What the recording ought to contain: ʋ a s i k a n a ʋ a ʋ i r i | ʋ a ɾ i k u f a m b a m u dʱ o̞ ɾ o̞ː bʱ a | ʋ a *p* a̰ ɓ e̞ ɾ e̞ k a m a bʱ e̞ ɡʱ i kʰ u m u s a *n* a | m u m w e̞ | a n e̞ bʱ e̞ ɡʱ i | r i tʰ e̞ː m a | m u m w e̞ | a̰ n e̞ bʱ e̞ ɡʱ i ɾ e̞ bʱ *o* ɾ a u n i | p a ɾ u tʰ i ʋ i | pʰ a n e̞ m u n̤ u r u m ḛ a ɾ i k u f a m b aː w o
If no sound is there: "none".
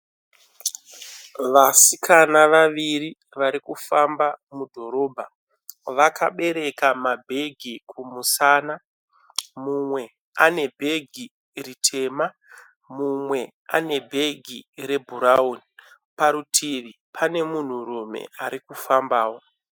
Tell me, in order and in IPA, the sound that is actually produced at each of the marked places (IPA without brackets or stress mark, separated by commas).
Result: k, n, u